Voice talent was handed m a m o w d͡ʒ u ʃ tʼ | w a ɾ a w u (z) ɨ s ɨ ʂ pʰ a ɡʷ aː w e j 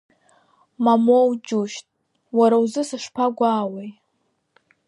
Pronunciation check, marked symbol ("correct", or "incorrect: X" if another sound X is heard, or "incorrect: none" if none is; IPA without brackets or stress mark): correct